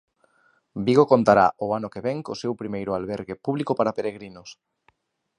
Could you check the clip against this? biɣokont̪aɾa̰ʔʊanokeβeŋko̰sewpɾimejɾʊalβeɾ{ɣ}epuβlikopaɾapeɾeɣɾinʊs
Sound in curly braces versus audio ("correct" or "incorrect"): correct